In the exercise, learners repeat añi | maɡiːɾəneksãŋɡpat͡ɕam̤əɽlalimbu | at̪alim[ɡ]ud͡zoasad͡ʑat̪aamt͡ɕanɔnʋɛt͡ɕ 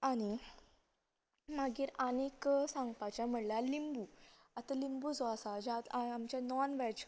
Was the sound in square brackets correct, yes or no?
no